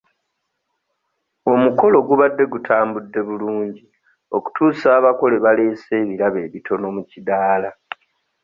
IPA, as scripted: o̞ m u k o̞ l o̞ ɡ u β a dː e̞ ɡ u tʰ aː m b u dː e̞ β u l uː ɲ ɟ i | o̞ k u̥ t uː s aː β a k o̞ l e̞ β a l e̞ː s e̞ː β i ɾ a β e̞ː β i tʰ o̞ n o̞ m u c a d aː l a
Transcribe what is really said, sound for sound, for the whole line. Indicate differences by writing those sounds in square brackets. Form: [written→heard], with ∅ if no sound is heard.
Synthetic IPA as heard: o̞ m u k o̞ l o̞ ɡ u β a dː e̞ ɡ u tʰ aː m b u dː e̞ β u l uː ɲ ɟ i | o̞ k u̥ t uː s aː β a k o̞ l e̞ β a l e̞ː s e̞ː β i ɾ a β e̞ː β i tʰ o̞ n o̞ m u c [a→i] d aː l a